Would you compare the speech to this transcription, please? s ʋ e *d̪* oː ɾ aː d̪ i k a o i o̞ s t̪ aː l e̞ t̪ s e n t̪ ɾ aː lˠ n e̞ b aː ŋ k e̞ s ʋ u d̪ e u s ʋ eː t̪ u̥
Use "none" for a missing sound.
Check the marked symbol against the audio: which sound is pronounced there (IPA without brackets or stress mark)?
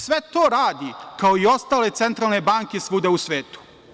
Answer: t̪